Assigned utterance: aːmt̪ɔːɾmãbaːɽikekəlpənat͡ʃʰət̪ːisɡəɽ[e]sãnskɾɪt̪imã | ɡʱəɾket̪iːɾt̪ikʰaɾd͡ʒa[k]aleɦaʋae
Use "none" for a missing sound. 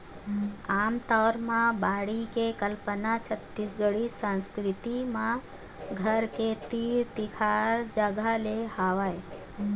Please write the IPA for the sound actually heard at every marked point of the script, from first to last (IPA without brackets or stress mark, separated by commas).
i, ɡ